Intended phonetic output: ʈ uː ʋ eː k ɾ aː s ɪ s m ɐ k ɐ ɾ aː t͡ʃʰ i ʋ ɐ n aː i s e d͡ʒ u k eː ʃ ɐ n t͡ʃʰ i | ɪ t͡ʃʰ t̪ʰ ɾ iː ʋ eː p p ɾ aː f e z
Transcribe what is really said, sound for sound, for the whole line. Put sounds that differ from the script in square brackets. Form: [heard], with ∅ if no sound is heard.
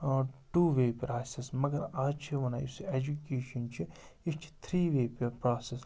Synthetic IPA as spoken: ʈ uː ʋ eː [p] ɾ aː s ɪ s m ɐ [ɡ] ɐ ɾ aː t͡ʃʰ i ʋ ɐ n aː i s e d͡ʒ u k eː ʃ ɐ n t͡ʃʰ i | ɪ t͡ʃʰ t̪ʰ ɾ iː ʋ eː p p ɾ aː [s] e [s]